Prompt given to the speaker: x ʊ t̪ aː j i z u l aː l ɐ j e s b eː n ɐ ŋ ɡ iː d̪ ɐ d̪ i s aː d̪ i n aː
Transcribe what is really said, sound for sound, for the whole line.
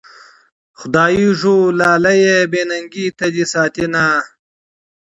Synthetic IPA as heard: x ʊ d̪ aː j i ʐ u l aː l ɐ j e b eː n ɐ ŋ ɡ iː t̪ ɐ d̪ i s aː t̪ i n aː